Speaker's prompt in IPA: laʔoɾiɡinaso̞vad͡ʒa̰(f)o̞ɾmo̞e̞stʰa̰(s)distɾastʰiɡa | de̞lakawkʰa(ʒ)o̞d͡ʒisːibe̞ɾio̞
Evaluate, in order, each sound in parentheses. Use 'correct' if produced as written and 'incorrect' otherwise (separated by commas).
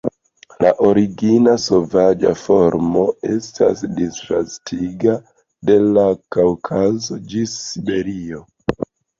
correct, correct, incorrect